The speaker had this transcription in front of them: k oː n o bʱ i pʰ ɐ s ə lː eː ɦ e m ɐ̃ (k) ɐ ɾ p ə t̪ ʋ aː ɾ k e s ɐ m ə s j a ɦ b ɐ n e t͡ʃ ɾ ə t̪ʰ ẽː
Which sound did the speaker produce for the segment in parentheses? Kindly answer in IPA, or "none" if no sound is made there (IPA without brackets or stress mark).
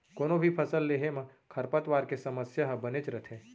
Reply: kʰ